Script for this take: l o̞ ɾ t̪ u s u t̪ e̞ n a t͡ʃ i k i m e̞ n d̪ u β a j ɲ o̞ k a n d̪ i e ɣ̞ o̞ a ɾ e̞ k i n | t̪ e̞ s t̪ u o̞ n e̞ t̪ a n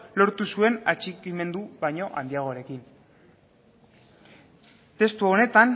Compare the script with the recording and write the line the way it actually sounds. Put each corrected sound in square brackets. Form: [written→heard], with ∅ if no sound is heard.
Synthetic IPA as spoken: l o̞ ɾ t̪ u s u [t̪→∅] e̞ n a t͡ʃ i k i m e̞ n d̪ u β a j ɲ o̞ [k→ʔ] a n d̪ i [e→a] ɣ̞ o̞ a ɾ e̞ k i n | t̪ e̞ s t̪ u o̞ n e̞ t̪ a n